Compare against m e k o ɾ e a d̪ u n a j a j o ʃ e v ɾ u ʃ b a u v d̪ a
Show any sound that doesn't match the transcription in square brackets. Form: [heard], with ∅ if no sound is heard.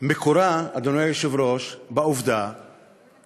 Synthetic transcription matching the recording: m e k o ɾ [a] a d̪ [o] n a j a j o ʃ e v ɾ [o] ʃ b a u v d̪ a